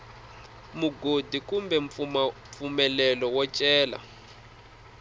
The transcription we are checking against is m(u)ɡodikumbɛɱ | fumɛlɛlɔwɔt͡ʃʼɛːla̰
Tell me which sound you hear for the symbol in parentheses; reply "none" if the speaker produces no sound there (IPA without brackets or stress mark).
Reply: u